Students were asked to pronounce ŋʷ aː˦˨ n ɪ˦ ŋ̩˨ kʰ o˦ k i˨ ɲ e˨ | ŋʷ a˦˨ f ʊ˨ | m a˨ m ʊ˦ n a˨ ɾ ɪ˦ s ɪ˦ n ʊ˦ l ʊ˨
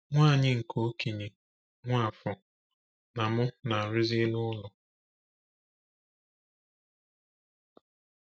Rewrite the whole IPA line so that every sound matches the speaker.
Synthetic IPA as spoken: ŋʷ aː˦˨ ɲ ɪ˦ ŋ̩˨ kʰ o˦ k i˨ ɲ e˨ | ŋʷ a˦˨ f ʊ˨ | n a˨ m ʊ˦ n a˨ ɾ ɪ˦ z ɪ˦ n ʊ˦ l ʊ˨